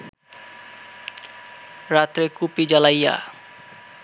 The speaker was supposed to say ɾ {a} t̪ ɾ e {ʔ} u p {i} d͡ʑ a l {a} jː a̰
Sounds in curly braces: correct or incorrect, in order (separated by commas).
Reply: correct, incorrect, correct, correct